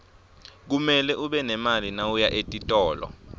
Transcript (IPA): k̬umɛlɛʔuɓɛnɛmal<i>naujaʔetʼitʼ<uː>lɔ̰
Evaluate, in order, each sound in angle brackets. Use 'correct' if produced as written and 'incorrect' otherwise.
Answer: correct, incorrect: ɔː

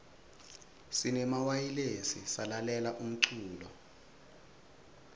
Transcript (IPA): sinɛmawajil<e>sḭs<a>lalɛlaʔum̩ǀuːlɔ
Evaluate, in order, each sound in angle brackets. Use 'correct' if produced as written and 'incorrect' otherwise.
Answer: correct, correct

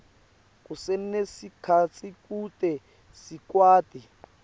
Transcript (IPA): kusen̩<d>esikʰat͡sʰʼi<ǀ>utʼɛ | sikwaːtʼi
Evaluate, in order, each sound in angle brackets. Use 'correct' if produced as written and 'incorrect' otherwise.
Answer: incorrect: n, incorrect: k

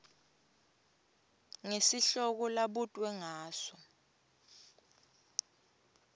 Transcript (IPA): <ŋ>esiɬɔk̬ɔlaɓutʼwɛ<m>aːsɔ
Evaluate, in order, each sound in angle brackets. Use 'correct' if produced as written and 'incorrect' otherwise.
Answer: correct, incorrect: ŋ

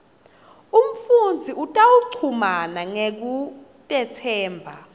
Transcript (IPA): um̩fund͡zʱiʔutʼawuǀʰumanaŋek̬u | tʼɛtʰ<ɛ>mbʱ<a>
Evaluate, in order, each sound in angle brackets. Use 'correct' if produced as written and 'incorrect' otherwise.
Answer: incorrect: ɛː, correct

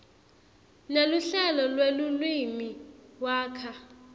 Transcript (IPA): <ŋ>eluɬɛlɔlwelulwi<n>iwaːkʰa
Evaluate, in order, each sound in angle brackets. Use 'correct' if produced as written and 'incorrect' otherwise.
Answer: incorrect: n, incorrect: m

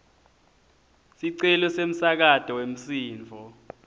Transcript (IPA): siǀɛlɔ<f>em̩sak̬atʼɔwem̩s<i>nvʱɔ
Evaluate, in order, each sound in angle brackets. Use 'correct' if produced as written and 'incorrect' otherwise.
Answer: incorrect: s, incorrect: iː

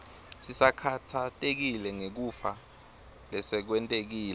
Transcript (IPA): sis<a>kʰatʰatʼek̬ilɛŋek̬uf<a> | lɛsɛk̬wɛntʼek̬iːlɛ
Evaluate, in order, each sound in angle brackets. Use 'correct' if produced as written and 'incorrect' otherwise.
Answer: correct, correct

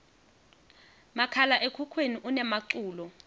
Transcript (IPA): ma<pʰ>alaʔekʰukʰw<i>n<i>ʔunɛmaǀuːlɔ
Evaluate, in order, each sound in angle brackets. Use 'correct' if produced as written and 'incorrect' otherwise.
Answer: incorrect: kʰ, incorrect: e, correct

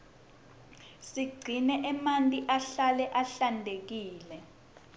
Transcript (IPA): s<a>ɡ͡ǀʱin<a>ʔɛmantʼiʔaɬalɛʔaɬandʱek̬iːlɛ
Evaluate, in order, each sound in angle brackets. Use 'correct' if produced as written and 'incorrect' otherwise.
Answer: incorrect: i, incorrect: ɛ

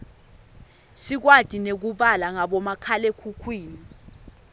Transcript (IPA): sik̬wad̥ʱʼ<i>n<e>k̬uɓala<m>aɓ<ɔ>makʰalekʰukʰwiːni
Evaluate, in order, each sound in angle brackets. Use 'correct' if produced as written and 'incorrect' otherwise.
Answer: correct, correct, incorrect: ŋ, correct

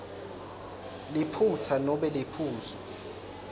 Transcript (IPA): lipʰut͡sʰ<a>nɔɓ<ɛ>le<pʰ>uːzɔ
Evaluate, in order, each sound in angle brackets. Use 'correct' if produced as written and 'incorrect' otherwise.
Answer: correct, correct, correct

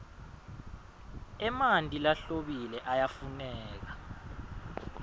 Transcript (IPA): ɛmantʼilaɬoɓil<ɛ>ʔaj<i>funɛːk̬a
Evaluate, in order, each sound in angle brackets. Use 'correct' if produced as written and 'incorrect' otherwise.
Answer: correct, incorrect: a

